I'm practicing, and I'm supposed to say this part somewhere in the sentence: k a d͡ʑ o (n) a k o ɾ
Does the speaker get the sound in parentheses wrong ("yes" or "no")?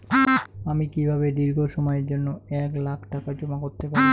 yes